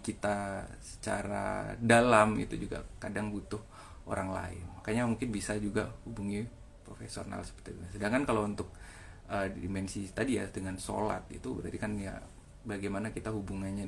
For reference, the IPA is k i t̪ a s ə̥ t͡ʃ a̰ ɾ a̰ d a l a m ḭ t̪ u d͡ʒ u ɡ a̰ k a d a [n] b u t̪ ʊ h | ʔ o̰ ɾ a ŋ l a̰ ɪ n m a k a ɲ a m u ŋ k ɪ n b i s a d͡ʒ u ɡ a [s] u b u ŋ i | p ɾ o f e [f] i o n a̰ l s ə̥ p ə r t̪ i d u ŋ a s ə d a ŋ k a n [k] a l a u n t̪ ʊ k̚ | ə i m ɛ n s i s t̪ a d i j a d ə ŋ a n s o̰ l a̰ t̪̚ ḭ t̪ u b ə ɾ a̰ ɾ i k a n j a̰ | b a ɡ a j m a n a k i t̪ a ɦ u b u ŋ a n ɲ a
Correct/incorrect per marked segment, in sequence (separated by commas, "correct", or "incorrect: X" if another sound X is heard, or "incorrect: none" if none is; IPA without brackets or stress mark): incorrect: ŋ, incorrect: h, incorrect: s, correct